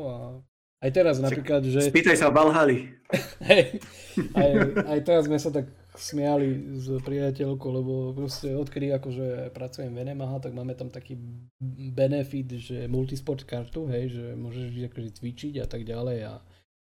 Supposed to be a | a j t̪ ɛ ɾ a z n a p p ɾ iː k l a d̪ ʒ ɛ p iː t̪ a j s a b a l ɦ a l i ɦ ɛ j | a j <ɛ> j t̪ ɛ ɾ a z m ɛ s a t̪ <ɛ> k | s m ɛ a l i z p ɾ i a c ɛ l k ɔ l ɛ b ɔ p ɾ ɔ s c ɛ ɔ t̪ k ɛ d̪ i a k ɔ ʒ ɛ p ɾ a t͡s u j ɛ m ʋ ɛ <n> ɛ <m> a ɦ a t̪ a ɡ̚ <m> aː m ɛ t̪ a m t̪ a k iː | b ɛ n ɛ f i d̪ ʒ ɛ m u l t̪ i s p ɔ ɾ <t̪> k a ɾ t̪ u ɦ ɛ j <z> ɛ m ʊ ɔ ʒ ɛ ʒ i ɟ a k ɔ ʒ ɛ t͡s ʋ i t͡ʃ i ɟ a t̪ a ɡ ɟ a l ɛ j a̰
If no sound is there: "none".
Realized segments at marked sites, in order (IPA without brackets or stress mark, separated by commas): a, a, n, m, m, t̪, ʒ